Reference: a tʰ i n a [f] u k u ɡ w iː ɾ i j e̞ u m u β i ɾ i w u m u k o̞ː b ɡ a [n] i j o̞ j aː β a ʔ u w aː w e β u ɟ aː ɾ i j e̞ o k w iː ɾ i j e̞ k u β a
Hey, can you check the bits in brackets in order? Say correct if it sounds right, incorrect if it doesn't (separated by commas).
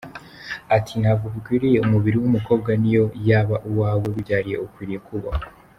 incorrect, correct